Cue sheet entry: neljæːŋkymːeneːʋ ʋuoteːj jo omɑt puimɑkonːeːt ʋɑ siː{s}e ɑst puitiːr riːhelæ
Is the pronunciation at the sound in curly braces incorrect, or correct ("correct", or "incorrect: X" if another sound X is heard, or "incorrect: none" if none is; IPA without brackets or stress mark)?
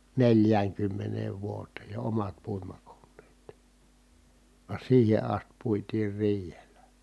incorrect: h